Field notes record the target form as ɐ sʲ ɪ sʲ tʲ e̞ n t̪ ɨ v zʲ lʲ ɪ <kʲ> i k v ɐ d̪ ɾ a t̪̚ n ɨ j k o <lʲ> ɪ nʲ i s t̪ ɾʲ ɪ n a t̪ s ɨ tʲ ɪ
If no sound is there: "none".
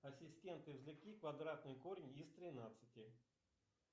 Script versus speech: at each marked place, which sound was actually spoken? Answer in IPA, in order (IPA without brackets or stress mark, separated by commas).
kʲ, ɾʲ